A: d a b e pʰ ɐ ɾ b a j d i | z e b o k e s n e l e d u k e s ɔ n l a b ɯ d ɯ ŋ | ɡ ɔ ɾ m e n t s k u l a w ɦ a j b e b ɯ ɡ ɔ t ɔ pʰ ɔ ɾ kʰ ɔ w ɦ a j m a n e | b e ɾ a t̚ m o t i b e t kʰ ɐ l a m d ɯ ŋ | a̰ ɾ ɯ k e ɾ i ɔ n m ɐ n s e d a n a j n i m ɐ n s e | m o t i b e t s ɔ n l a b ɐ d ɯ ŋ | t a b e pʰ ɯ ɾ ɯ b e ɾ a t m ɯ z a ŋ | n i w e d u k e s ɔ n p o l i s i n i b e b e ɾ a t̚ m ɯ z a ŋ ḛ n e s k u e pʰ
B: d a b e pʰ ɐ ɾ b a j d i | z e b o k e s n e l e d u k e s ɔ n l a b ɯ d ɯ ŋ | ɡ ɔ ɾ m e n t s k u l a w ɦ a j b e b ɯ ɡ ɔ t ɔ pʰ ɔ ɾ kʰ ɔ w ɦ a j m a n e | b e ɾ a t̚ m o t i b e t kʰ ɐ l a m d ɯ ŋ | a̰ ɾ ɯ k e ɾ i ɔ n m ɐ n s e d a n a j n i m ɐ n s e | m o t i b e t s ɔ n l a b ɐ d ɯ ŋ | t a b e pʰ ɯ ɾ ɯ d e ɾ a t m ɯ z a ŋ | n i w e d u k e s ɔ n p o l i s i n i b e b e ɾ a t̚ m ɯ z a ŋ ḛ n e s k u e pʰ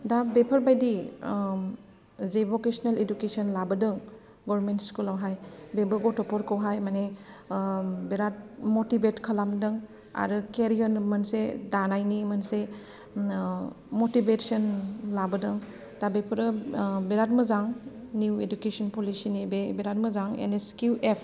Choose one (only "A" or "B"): A